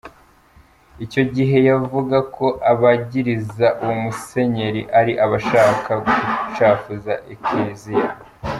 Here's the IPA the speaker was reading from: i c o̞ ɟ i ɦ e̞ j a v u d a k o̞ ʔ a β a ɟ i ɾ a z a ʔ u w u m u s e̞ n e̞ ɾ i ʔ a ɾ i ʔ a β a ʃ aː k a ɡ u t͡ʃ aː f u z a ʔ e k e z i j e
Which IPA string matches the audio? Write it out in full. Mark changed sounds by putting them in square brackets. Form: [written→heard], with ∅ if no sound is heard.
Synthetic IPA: i c o̞ ɟ i ɦ e̞ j a v u [d→ɡ] a k o̞ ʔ a β a ɟ i ɾ [a→i] z a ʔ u w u m u s e̞ [n→ɲ] e̞ ɾ i ʔ a ɾ i ʔ a β a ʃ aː k a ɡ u t͡ʃ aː f u z a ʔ e k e z i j [e→a]